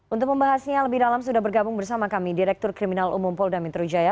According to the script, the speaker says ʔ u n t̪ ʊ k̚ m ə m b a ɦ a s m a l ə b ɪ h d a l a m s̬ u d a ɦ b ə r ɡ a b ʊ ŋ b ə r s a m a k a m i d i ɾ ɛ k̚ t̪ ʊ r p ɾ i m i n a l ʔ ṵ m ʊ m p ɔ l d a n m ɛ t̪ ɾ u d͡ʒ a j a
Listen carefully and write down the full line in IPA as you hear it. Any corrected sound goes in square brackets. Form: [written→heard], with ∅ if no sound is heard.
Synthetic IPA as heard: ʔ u n t̪ ʊ k̚ m ə m b a ɦ a s [m→ɲ] a l ə b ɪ h d a l a m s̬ u d a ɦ b ə r ɡ a b ʊ ŋ b ə r s a m a k a m i d i ɾ ɛ k̚ t̪ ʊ r [p→k] ɾ i m i n a l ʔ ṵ m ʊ m p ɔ l d a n m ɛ t̪ ɾ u d͡ʒ a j a